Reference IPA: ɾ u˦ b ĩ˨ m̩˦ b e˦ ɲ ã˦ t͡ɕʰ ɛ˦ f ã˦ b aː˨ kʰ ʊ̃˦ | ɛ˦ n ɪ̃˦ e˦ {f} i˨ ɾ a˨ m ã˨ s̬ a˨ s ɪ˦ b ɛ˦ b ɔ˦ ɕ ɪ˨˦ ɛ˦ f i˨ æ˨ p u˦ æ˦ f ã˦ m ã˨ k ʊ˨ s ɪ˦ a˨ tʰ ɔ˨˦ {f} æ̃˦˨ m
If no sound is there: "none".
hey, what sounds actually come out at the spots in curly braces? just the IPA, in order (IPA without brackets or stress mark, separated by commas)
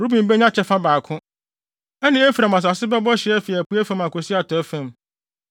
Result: f, f